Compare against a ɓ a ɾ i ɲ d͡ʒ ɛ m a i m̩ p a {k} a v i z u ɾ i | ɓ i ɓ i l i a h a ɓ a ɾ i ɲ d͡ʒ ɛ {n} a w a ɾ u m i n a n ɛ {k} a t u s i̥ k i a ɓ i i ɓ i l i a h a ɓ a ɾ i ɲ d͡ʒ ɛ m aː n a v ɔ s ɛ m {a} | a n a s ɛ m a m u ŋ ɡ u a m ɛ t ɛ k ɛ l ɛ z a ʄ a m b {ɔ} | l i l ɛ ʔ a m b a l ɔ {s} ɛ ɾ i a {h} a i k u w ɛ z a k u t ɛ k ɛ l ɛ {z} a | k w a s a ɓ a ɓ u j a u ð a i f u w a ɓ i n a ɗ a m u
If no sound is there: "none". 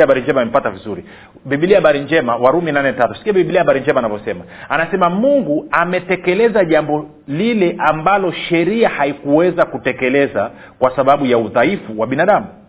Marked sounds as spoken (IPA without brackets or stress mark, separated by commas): t, m, t, a, ɔ, ʃ, h, z